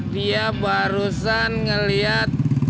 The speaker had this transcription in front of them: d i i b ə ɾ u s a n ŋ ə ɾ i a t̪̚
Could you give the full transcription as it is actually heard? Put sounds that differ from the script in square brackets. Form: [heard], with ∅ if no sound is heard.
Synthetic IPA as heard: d i [a] b [a] ɾ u s a n ŋ ə [l] i a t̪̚

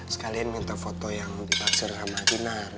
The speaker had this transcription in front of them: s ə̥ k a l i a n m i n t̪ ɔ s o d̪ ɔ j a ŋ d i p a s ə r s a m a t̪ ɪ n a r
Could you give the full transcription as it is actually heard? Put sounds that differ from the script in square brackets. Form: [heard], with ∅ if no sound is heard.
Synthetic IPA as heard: s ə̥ k a l i a n m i n t̪ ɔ [f] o [t̪] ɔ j a ŋ d i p a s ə r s a m a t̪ [i] n a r

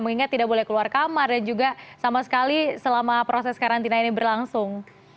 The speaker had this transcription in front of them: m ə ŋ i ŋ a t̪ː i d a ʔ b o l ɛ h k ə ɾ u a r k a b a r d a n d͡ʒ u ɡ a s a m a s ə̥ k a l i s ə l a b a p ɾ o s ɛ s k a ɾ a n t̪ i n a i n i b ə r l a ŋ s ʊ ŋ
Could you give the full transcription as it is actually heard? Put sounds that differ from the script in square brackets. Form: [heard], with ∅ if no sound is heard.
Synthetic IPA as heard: m ə ŋ i ŋ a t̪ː i d a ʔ b o l ɛ h k ə [l] u a r k a [m] a r d a n d͡ʒ u ɡ a s a m a s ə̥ k a l i s ə l a [m] a p ɾ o s ɛ s k a ɾ a n t̪ i n a i n i b ə r l a ŋ s ʊ ŋ

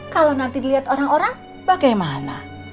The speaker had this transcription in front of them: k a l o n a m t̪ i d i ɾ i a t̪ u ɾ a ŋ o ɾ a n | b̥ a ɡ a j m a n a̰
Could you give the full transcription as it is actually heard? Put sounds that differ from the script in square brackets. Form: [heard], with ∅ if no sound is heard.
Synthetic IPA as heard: k a l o n a [n] t̪ i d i [l] i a t̪ [o] ɾ a ŋ o ɾ a [ŋ] | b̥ a ɡ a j m a n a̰

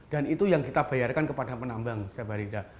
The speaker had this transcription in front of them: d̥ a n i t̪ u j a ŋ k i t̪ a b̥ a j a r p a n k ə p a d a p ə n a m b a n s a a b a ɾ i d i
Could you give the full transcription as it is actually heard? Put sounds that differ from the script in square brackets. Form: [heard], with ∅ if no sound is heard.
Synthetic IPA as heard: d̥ a n i t̪ u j a ŋ k i t̪ a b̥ a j a r [k] a n k ə p a d a p ə n a m b a [ŋ] s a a b a ɾ i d [a]

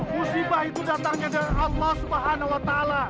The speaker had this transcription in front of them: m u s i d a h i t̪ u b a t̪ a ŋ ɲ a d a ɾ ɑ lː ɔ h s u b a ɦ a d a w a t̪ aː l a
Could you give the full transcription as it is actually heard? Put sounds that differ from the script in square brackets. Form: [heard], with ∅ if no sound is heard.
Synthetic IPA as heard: m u s i [b] a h i t̪ u [d] a t̪ a ŋ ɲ a d a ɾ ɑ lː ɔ h s u b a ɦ a [n] a w a t̪ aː l a

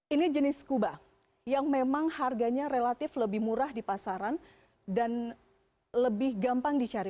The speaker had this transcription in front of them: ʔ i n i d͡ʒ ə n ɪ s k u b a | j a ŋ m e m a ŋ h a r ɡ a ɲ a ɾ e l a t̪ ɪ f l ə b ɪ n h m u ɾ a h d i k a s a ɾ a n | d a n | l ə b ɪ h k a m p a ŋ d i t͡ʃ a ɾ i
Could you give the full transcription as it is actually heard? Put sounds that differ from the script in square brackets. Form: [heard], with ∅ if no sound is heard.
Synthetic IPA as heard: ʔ i n i d͡ʒ ə n ɪ s k u b a | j a ŋ m e m a ŋ h a r ɡ a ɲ a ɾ e l a t̪ ɪ f l ə b ɪ [∅] h m u ɾ a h d i [p] a s a ɾ a n | d a n | l ə b ɪ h [ɡ] a m p a ŋ d i t͡ʃ a ɾ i

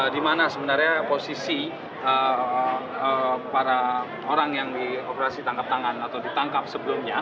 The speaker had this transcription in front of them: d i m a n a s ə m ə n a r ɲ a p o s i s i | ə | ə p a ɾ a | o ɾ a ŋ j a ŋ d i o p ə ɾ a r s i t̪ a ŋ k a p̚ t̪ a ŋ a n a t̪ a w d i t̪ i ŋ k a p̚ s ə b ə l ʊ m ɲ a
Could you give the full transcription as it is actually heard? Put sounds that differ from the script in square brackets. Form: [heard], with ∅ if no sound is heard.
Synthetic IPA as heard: d i m a n a s ə m ə n a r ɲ a p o s i s i | ə | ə p a ɾ a | o ɾ a ŋ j a ŋ d i o p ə ɾ a [∅] s i t̪ a ŋ k a p̚ t̪ a ŋ a n a t̪ a w d i t̪ [a] ŋ k a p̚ s ə b ə l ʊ m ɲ a

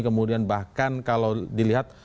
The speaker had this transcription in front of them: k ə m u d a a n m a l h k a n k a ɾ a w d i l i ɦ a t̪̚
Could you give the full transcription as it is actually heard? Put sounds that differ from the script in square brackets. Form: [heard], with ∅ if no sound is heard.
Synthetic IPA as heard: k ə m u d [i] a n [b] a [∅] h k a n k a [l] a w d i l i ɦ a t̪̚

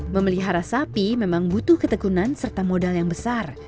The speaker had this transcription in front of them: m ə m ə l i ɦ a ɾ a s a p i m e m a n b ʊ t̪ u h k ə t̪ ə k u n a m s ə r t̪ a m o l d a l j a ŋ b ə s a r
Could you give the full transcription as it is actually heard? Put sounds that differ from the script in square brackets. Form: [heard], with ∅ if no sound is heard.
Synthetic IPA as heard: m ə m ə l i ɦ a ɾ a s a p i m e m a [ŋ] b [u] t̪ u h k ə t̪ ə k u n a [n] s ə r t̪ a m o [∅] d a l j a ŋ b ə s a r

